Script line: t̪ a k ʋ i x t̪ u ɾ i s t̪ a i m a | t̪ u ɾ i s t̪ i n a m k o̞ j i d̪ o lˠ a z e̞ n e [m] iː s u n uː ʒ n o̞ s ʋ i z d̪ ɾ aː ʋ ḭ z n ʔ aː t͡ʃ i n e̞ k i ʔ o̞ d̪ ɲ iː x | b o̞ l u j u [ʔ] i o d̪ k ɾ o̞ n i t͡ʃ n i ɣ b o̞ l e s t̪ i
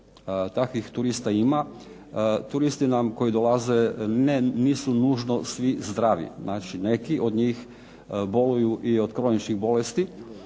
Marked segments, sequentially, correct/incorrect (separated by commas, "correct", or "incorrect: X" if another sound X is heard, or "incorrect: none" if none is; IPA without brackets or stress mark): incorrect: n, correct